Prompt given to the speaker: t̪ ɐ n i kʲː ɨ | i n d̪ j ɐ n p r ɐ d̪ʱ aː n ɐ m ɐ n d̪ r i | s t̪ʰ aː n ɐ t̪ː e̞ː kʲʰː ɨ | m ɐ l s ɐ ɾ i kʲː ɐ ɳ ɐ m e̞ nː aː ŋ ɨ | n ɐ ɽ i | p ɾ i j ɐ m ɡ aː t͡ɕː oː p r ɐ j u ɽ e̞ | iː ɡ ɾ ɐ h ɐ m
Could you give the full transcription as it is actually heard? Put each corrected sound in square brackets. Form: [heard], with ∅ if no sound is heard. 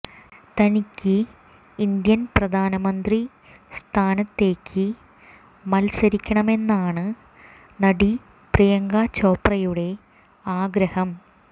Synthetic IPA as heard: t̪ ɐ n i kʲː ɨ | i n d̪ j ɐ n p r ɐ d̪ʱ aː n ɐ m ɐ n d̪ r i | s t̪ʰ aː n ɐ t̪ː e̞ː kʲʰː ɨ | m ɐ l s ɐ ɾ i kʲː ɐ ɳ ɐ m e̞ nː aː [ɳ] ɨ | n ɐ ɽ i | p [r] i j ɐ [ŋ] ɡ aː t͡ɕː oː p r ɐ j u ɽ e̞ | [aː] ɡ ɾ ɐ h ɐ m